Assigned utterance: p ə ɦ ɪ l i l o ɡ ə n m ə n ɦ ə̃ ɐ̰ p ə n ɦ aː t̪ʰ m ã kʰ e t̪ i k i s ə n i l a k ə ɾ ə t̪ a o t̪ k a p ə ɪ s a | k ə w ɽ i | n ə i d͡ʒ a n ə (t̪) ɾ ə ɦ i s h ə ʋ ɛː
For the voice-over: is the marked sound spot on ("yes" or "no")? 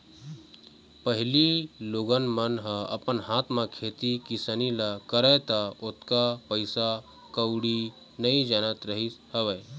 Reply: yes